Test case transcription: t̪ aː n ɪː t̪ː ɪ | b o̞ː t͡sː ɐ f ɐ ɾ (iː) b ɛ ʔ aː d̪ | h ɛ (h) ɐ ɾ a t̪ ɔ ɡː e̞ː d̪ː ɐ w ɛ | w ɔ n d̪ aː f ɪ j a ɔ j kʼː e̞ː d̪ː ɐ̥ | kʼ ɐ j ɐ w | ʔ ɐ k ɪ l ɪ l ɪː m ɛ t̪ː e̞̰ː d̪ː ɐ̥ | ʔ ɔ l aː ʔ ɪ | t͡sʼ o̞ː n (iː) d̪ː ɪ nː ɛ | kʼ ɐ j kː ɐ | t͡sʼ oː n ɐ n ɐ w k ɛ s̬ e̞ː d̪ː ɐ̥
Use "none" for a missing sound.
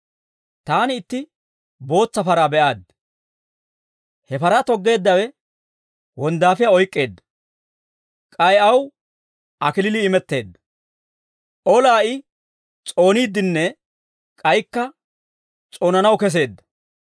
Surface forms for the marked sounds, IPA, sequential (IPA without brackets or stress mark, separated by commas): aː, f, iː